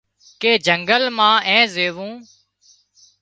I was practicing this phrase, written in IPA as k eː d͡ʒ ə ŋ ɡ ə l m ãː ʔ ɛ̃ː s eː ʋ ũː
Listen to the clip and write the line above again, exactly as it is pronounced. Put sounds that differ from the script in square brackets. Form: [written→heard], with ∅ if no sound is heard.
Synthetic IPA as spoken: k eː d͡ʒ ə ŋ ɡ ə l m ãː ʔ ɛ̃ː [s→z] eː ʋ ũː